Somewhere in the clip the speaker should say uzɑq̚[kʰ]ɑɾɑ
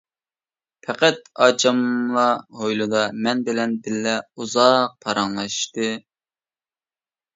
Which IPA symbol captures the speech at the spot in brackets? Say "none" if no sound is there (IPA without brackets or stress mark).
pʰ